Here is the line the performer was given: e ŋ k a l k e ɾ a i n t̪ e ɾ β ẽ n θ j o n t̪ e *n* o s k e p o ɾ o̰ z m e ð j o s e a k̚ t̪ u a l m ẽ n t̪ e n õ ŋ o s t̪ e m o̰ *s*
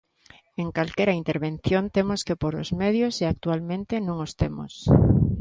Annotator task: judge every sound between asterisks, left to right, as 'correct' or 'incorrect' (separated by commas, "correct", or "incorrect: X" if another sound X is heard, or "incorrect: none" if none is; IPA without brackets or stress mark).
incorrect: m, correct